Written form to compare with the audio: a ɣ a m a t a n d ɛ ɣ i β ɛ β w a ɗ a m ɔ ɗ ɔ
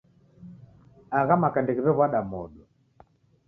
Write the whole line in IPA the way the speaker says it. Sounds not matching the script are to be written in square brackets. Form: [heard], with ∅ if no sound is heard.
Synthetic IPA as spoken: a ɣ a m a [k] a n d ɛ ɣ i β ɛ β w a ɗ a m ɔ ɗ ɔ